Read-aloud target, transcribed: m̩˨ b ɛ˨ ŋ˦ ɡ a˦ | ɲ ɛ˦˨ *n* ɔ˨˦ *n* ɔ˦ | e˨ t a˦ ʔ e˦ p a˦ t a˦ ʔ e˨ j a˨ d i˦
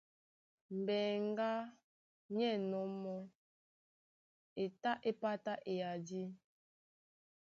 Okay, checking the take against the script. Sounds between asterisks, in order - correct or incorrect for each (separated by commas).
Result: correct, incorrect